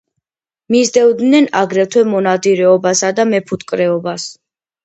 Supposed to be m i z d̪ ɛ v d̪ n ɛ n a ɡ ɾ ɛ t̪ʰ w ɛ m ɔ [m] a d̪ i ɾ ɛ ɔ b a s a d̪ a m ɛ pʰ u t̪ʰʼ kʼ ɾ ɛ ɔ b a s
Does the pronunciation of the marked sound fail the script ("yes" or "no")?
yes